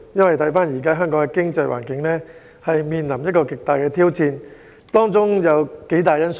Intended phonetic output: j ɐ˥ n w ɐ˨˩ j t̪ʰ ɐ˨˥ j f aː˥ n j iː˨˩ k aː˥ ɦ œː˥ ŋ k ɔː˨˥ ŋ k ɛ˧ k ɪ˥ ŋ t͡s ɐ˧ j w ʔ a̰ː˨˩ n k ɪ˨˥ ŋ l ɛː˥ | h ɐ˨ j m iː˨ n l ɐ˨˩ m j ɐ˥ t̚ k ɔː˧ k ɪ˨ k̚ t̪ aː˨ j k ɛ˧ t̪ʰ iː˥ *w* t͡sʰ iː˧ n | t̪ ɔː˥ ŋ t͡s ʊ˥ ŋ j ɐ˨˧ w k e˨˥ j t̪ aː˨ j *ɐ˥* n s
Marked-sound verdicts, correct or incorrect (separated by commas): correct, correct